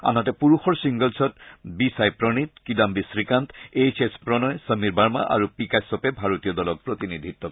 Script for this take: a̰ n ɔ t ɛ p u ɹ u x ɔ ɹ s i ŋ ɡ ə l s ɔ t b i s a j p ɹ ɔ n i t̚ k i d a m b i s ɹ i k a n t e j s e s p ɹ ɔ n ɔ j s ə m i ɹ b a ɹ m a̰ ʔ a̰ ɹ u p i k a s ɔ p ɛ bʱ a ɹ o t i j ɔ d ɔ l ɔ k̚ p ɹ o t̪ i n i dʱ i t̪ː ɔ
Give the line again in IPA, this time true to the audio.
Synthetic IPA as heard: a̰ n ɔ t ɛ p u ɹ u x ɔ ɹ s i ŋ ɡ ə l s ɔ t b i s a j p ɹ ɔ n i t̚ k i d a m b i s ɹ i k a n t e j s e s p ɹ ɔ n ɔ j s ə m i ɹ b a ɹ m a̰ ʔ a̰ ɹ u p i k a s ɔ p ɛ bʱ a ɹ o t i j ɔ d ɔ l ɔ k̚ p ɹ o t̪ i n i dʱ i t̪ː ɔ